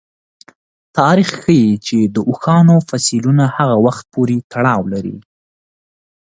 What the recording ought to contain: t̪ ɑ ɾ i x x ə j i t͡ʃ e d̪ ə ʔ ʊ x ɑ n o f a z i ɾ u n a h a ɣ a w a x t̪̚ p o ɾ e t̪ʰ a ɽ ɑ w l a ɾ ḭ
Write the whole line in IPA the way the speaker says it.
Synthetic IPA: t̪ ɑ ɾ i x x ə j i t͡ʃ e d̪ ə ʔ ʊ x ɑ n o f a s i l u n a h a ɣ a w a x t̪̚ p o ɾ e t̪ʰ a ɽ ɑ w l a ɾ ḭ